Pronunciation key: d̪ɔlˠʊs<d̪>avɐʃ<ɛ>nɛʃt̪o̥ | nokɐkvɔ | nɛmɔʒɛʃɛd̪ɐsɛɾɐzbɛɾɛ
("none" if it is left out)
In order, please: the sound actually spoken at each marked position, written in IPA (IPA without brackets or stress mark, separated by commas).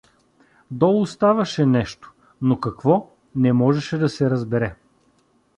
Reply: t̪, ɛ